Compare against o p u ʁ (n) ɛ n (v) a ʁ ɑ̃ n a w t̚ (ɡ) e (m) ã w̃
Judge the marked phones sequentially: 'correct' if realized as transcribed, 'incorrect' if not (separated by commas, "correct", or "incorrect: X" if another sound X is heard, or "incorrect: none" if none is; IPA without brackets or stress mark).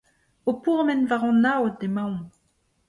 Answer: incorrect: m, correct, incorrect: d, correct